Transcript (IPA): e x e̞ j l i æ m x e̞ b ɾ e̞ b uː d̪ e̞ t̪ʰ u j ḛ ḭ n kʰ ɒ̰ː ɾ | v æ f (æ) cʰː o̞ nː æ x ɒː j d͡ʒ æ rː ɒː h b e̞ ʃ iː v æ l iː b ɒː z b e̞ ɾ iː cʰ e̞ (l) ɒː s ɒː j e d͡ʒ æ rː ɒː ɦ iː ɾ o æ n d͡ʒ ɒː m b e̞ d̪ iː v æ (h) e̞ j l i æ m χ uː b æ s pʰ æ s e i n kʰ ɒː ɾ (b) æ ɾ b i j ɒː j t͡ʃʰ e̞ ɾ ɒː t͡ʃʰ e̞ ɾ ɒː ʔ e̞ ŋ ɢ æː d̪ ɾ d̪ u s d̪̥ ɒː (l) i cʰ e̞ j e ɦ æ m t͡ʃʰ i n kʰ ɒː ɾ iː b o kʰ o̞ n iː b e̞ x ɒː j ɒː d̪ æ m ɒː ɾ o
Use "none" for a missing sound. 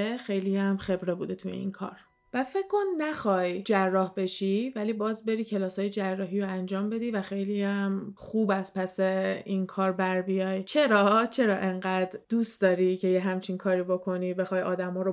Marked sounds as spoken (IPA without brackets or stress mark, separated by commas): e, l, x, b, ɾ